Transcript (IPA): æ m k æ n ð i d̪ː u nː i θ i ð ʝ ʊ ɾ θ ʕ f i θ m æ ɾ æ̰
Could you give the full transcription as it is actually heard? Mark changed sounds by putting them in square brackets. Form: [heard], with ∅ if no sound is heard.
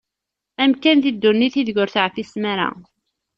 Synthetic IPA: æ m k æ n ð i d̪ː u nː i θ i ð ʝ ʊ ɾ θ ʕ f i [s] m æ ɾ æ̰